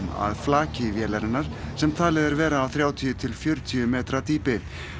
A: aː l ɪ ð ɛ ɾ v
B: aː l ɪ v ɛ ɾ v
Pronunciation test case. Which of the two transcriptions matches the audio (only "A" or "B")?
A